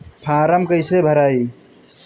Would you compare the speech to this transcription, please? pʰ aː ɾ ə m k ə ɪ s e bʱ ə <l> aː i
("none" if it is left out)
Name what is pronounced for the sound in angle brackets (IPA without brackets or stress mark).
ɾ